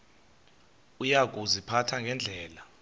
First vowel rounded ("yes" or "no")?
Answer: yes